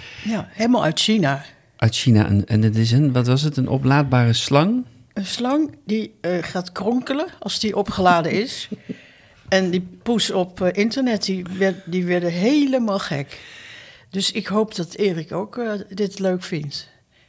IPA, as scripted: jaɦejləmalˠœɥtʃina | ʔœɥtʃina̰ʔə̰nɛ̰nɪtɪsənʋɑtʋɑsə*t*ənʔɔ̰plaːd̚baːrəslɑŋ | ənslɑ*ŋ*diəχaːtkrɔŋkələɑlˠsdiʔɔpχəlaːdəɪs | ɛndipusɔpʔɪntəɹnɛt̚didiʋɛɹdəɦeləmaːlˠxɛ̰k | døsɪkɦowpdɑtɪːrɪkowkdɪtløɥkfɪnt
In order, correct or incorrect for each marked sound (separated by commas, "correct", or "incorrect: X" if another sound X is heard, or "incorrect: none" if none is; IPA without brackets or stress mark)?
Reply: correct, correct